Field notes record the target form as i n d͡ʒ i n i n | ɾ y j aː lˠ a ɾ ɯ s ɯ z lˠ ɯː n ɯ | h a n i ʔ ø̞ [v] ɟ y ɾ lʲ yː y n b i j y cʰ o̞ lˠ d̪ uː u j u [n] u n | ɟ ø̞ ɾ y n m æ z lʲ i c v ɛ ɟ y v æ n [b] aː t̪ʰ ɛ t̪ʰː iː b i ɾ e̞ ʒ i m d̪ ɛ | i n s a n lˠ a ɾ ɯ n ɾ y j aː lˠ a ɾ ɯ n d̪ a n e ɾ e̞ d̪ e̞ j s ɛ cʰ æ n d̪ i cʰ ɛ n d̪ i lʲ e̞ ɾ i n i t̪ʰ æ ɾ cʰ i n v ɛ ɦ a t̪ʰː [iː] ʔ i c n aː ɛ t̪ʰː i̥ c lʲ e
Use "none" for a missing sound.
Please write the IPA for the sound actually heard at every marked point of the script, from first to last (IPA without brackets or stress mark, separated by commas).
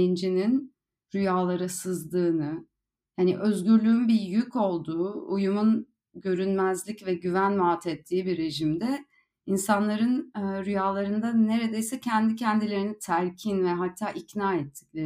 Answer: z, m, m, aː